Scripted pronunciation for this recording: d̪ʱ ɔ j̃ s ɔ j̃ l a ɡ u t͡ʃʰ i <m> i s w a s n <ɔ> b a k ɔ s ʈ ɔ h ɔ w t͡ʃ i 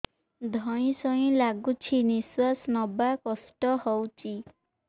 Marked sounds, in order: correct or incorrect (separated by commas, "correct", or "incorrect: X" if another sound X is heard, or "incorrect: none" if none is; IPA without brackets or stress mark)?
incorrect: n, correct